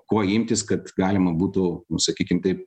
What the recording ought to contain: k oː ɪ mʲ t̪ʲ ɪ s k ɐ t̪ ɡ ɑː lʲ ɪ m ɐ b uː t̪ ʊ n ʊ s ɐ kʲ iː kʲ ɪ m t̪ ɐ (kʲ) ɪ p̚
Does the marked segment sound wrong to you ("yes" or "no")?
yes